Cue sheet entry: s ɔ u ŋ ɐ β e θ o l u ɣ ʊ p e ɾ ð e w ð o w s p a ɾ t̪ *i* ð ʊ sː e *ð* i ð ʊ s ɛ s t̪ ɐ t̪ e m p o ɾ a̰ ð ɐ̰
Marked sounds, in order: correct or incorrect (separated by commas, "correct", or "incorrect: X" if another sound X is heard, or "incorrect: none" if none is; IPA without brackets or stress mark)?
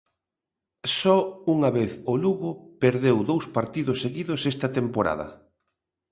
correct, incorrect: ɣ